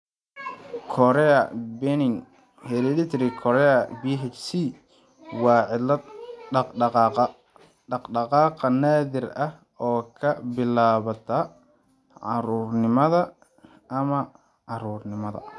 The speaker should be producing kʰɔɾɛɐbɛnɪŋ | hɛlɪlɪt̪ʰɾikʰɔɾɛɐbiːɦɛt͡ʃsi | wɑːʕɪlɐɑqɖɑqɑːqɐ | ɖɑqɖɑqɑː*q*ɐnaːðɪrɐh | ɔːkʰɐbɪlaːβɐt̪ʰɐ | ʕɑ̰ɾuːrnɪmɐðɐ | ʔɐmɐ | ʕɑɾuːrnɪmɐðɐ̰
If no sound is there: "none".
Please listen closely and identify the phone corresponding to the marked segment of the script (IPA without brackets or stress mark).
q